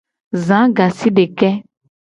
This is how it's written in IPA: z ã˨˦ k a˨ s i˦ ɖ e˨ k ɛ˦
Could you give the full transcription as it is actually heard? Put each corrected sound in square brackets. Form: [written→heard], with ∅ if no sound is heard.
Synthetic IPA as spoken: z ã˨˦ [k→ɡ] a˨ s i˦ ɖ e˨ k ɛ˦